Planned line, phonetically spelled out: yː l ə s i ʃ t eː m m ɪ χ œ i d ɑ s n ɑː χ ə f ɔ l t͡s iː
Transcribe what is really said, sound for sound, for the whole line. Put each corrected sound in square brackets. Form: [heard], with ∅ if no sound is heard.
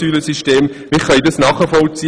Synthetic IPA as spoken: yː l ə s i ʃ t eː m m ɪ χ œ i d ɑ s n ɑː χ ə f ɔ l t͡s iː